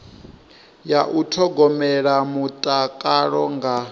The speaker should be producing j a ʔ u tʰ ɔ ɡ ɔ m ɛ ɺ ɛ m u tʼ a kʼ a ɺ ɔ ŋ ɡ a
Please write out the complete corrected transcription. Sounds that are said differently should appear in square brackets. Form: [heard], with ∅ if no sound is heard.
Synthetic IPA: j a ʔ u tʰ ɔ ɡ ɔ m ɛ ɺ [a] m u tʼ a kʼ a ɺ ɔ ŋ ɡ a